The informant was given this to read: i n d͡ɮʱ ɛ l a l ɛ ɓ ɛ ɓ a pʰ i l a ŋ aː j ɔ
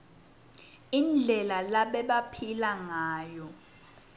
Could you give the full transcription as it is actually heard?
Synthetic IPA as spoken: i n d͡ɮʱ ɛ l a l a ɓ ɛ ɓ a pʰ i l a ŋ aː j ɔ